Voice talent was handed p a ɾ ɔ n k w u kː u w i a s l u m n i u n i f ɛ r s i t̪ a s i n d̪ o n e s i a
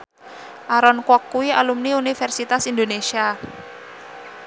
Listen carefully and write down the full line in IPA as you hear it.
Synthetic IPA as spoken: ʔ a ɾ ɔ n k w ɔ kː u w i a l u m n i u n i f ɛ r s i t̪ a s i n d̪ o n e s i a